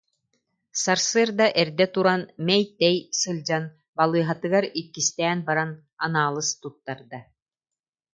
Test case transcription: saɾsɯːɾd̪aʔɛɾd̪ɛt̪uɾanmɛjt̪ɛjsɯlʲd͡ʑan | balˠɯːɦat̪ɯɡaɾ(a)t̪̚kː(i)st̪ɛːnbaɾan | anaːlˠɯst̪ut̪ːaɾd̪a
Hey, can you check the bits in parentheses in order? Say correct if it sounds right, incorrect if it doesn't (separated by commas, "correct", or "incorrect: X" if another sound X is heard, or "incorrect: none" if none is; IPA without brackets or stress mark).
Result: incorrect: i, correct